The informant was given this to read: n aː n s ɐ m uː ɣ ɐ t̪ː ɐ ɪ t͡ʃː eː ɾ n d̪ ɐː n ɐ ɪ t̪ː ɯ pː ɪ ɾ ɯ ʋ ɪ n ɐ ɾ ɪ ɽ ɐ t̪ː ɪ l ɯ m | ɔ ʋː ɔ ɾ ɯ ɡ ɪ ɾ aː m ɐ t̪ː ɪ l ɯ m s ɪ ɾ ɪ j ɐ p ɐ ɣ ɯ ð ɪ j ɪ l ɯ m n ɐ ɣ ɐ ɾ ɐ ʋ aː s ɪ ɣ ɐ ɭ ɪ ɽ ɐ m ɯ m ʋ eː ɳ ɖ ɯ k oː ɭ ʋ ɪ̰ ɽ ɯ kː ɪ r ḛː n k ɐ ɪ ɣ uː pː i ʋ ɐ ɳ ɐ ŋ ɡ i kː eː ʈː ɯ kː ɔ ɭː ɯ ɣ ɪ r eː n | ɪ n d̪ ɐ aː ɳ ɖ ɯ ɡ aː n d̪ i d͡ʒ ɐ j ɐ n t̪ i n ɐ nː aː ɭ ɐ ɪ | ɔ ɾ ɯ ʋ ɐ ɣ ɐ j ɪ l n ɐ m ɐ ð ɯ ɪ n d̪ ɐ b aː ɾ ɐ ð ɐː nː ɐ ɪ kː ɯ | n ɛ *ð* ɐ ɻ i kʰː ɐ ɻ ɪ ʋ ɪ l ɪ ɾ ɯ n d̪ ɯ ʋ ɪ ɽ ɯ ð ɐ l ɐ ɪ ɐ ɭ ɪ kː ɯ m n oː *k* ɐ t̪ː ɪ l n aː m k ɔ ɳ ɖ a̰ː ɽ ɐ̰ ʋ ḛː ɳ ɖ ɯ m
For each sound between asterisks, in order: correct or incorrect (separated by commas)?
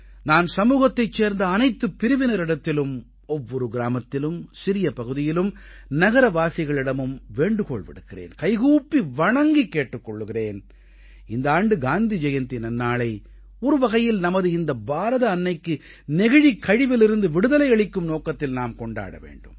incorrect, correct